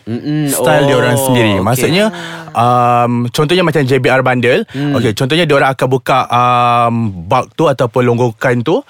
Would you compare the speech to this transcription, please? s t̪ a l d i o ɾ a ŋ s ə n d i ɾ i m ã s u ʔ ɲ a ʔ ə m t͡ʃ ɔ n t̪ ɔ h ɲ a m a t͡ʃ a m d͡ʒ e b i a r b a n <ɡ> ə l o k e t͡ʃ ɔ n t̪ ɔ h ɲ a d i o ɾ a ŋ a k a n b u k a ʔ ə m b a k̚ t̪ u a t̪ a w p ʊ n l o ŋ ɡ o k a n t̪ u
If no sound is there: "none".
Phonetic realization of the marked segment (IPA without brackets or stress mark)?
d